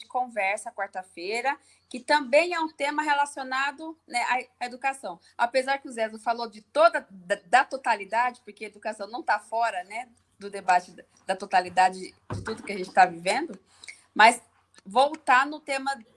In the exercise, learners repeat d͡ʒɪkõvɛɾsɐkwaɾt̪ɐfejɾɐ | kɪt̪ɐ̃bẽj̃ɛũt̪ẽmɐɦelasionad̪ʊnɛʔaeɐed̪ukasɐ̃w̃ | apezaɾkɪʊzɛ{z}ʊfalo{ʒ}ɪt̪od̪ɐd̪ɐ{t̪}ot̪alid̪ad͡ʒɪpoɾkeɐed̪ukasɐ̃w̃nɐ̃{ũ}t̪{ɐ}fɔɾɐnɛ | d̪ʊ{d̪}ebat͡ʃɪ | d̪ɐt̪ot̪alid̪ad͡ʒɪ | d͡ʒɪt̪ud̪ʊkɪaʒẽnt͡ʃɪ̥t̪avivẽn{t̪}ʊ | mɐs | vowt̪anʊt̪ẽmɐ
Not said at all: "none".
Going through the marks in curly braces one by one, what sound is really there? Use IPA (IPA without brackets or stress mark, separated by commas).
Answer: z, d͡ʒ, t̪, w̃, a, d̪, d̪